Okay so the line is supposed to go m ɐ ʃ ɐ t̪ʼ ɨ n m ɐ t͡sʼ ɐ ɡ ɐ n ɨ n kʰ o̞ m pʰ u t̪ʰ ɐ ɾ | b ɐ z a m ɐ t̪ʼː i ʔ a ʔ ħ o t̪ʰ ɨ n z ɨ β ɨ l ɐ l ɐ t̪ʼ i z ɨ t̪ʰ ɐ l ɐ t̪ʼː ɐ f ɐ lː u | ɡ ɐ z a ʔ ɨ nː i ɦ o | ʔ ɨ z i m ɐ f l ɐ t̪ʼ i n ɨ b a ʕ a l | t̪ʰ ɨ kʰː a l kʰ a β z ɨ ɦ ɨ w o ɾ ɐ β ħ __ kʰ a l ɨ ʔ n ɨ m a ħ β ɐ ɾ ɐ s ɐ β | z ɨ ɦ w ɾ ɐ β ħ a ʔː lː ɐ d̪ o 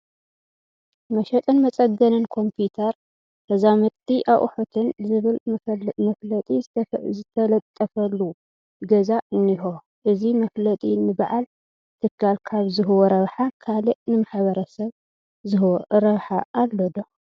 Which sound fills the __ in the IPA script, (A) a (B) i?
A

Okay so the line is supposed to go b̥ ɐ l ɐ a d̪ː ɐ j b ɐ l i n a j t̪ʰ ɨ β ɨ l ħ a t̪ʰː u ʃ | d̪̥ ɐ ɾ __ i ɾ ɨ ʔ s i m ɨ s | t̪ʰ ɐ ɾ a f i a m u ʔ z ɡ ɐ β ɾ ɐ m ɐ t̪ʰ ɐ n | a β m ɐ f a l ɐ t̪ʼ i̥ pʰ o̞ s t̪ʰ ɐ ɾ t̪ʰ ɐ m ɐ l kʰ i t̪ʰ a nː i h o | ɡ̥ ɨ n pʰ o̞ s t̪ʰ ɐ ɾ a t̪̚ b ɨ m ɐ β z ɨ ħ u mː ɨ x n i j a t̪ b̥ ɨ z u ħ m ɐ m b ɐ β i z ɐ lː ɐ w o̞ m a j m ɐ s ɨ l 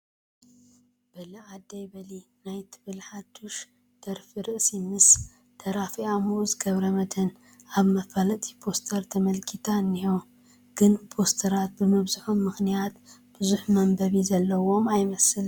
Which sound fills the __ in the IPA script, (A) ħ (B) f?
B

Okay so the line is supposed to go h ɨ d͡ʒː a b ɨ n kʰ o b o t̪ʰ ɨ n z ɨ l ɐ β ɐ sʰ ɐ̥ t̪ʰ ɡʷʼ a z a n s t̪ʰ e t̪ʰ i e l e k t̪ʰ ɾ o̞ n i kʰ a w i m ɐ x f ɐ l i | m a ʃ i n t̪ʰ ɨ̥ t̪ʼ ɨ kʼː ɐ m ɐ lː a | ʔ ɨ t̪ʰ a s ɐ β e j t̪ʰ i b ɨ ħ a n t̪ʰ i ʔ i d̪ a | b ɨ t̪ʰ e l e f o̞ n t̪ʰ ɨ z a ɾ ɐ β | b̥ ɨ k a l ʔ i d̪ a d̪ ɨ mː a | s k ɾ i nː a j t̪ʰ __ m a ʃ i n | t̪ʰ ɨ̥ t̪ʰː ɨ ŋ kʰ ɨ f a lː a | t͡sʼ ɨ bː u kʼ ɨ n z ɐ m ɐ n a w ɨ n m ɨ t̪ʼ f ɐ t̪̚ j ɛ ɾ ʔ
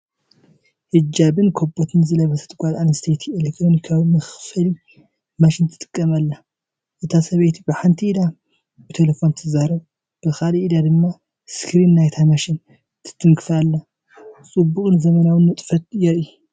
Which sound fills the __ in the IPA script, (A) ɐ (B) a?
B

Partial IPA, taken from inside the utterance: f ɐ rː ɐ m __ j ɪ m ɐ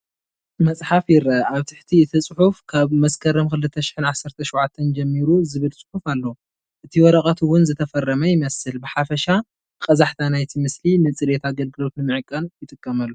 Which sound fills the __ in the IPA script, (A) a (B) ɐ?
B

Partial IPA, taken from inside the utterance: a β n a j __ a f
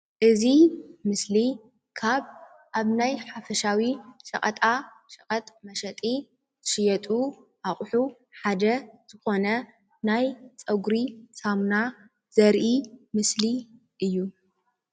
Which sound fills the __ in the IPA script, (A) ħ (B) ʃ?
A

